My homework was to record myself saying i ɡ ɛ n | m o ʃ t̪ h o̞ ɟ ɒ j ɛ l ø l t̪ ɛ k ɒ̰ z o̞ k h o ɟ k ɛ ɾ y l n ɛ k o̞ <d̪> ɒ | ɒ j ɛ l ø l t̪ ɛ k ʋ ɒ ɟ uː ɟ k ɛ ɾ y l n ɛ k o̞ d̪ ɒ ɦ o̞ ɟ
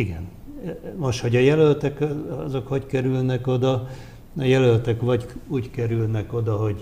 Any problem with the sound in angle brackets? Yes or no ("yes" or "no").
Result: no